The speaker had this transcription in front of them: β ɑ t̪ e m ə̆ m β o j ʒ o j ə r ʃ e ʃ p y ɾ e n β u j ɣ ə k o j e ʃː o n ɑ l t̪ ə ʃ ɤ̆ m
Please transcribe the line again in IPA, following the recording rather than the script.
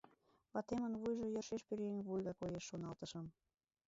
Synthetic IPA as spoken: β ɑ t̪ e m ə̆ n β u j ʒ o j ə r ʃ e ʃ p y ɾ e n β u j ɣ ɑ k o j e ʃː o n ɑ l t̪ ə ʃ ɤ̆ m